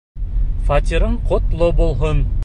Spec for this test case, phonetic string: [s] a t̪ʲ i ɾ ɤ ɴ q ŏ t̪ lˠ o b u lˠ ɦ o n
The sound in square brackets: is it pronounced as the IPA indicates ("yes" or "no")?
no